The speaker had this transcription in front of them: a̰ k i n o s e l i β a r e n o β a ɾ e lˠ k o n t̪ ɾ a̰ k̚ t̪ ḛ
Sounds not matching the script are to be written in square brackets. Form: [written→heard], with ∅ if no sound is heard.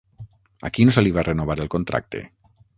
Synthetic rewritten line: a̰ k i n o s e l i β a r e n o β a ɾ e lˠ k o n t̪ ɾ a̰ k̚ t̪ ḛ